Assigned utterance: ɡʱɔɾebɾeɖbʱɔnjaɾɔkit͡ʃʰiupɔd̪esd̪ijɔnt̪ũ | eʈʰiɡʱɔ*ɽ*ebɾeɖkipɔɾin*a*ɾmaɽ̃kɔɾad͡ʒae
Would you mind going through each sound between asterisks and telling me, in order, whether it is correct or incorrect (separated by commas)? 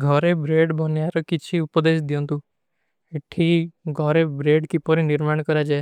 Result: incorrect, incorrect